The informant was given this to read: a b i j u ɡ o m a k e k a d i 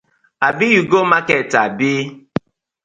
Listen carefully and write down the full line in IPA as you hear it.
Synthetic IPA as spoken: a b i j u ɡ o m a k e t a b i

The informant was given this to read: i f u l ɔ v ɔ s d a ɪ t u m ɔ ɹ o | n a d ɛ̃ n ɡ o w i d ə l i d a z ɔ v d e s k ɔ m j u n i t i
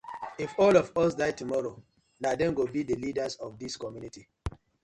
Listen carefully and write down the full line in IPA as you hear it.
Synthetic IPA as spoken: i f ɔ l ɔ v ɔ s d a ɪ t u m ɔ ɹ o | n a d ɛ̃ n ɡ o b i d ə l i d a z ɔ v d i s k ɔ m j u n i t i

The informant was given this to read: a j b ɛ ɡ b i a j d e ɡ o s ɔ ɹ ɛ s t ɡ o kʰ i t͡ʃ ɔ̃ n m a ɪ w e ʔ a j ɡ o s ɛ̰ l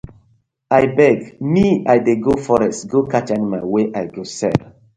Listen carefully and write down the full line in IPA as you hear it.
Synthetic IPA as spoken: a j b ɛ ɡ m i a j d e ɡ o f ɔ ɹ ɛ s t ɡ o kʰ a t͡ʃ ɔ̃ n m a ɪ w e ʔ a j ɡ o s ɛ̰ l

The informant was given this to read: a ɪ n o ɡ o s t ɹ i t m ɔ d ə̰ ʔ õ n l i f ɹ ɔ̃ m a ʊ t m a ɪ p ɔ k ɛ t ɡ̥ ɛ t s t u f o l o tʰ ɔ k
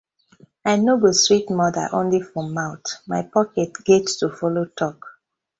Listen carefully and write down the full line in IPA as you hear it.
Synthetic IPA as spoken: a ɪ n o ɡ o s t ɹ i t m ɔ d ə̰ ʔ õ n l i f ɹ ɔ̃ m a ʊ t m a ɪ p ɔ k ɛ t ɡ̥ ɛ t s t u f ɔ l o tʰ ɔ k

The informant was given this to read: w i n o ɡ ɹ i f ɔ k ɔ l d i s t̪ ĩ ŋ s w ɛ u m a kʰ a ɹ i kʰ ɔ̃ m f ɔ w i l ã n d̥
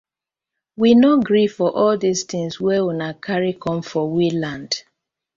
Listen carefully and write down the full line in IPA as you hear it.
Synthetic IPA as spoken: w i n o ɡ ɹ i f ɔ ʔ ɔ l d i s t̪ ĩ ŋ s w ɛ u n a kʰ a ɹ i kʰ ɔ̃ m f ɔ w i l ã n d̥

